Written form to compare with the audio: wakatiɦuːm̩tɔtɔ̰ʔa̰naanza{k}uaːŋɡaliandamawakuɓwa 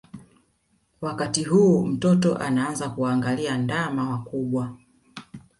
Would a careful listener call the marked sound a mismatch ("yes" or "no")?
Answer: no